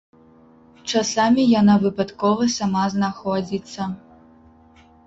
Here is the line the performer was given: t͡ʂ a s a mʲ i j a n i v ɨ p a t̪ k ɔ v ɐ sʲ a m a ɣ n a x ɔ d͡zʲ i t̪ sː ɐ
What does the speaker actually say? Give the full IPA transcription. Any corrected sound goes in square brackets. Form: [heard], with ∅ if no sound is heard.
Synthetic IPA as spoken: t͡ʂ a s a mʲ i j a n [a] v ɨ p a t̪ k ɔ v ɐ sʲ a m a [z] n a x ɔ d͡zʲ i t̪ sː ɐ